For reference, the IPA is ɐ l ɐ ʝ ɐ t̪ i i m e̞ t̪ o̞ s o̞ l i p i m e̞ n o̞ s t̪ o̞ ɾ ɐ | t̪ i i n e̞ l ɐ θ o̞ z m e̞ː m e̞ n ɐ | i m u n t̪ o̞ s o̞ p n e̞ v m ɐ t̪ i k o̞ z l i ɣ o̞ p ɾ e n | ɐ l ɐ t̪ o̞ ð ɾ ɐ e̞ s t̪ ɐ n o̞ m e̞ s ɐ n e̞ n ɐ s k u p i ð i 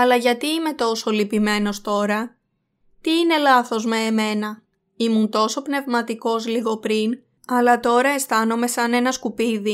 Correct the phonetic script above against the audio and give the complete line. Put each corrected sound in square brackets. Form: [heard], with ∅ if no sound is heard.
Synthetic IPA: ɐ l ɐ ʝ ɐ t̪ i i m e̞ t̪ o̞ s o̞ l i p i m e̞ n o̞ s t̪ o̞ ɾ ɐ | t̪ i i n e̞ l ɐ θ o̞ z m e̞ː m e̞ n ɐ | i m u n t̪ o̞ s o̞ p n e̞ v m ɐ t̪ i k o̞ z l i ɣ o̞ p ɾ [i] n | ɐ l ɐ t̪ o̞ [∅] ɾ ɐ e̞ s t̪ ɐ n o̞ m e̞ s ɐ n e̞ n ɐ s k u p i ð i